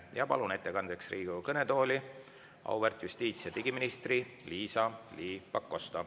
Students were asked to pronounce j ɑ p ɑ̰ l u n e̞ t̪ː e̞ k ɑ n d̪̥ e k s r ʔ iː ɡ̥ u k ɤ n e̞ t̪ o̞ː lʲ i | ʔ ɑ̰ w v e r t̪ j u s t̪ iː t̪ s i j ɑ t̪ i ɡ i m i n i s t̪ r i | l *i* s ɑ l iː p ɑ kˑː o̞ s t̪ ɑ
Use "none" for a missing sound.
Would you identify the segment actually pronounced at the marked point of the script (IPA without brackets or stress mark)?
iː